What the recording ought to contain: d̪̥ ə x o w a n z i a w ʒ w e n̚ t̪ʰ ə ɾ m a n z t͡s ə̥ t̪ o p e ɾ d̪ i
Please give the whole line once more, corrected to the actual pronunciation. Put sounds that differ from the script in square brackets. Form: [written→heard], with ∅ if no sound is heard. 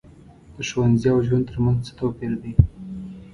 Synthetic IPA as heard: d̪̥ ə [x→ʃ] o w a n z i a w ʒ w [e→a] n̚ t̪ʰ ə ɾ m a n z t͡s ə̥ t̪ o p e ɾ d̪ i